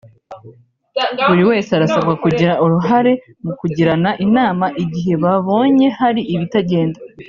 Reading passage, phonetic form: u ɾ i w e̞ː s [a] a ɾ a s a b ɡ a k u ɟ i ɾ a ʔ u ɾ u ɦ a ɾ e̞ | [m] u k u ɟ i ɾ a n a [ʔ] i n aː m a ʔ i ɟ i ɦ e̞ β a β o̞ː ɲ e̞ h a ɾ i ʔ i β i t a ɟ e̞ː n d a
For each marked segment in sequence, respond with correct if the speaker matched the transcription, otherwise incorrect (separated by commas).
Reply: incorrect, correct, correct